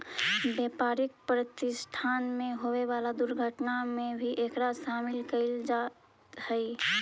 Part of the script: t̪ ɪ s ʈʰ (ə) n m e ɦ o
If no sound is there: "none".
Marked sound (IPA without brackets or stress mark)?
a